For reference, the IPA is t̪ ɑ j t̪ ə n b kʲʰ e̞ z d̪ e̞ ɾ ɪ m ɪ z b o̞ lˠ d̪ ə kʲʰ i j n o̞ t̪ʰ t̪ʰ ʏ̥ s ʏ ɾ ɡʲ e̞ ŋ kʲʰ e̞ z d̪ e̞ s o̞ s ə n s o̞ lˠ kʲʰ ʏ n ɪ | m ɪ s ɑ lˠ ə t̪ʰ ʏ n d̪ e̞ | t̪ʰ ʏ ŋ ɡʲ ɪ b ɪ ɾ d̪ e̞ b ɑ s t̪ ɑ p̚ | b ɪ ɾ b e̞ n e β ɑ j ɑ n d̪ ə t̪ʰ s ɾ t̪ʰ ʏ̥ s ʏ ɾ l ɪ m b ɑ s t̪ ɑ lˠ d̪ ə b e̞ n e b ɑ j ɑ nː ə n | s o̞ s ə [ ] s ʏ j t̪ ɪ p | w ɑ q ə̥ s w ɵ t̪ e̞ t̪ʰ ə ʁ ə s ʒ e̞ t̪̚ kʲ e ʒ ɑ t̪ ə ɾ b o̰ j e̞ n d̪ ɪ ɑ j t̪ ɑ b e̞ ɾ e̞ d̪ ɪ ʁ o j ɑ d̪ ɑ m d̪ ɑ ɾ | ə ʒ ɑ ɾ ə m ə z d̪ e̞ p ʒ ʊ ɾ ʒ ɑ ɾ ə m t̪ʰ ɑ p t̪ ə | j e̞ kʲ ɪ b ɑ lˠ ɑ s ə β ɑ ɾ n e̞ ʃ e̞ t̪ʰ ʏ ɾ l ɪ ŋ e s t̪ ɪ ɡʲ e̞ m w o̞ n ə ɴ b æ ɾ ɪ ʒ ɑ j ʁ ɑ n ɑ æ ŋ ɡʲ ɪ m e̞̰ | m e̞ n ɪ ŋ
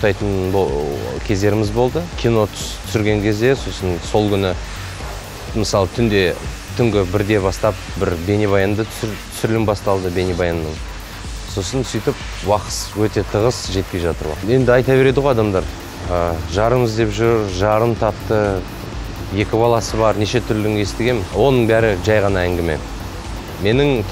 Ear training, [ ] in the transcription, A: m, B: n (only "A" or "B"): B